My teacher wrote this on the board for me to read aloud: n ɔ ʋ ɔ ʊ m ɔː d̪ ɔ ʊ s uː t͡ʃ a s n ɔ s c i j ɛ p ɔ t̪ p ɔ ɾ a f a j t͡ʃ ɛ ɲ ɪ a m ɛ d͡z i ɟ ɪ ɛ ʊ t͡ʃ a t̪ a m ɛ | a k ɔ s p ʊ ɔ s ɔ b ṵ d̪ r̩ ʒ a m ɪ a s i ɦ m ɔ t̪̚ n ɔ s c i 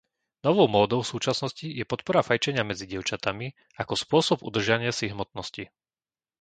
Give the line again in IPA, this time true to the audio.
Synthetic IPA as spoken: n ɔ ʋ ɔ ʊ m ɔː d̪ ɔ ʊ s uː t͡ʃ a s n ɔ s c i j ɛ p ɔ t̪ p ɔ ɾ a f a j t͡ʃ ɛ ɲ ɪ a m ɛ d͡z i ɟ ɪ ɛ ʊ t͡ʃ a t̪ a m i | a k ɔ s p ʊ ɔ s ɔ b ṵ d̪ r̩ ʒ a ɲ ɪ a s i ɦ m ɔ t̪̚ n ɔ s c i